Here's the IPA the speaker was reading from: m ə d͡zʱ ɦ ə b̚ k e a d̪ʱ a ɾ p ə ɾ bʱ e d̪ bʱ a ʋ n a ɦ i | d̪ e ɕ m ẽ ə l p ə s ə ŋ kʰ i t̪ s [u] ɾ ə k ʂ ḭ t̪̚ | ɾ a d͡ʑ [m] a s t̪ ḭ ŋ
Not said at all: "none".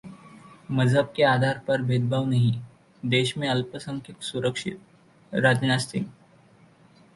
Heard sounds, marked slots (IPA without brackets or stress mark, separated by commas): u, n